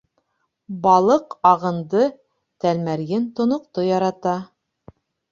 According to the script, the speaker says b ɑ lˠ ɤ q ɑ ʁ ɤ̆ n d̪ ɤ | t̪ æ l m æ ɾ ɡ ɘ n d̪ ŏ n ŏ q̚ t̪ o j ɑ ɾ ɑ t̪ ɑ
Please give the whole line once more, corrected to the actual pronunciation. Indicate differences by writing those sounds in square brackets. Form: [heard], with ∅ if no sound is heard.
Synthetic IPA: b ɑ lˠ ɤ q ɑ ʁ ɤ̆ n d̪ ɤ | t̪ æ l m æ ɾ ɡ ɘ n [t̪] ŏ n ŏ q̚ t̪ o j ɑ ɾ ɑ t̪ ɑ